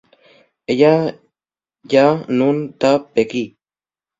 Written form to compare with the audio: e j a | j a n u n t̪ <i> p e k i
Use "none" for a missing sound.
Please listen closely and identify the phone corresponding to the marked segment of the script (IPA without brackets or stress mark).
a